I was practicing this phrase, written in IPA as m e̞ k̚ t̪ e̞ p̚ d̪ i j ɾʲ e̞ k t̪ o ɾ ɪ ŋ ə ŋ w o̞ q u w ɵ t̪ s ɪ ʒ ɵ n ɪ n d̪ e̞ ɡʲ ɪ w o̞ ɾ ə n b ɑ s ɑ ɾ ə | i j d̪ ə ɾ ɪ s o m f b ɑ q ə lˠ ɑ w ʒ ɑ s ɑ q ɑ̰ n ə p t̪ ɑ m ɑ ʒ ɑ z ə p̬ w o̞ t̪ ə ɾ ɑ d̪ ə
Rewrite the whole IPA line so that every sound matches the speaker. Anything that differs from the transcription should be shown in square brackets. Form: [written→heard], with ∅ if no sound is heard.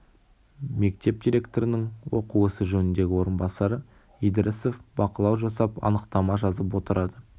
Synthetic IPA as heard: m e̞ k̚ t̪ e̞ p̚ d̪ i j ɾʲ e̞ k t̪ o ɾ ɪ [ŋ→n] ə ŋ w o̞ q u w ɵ [t̪→∅] s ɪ ʒ ɵ n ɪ n d̪ e̞ ɡʲ ɪ w o̞ ɾ ə n b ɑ s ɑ ɾ ə | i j d̪ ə ɾ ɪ s o [m→∅] f b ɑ q ə lˠ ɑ w ʒ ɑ s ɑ [q→p] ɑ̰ n ə [p→q] t̪ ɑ m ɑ ʒ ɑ z ə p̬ w o̞ t̪ ə ɾ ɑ d̪ ə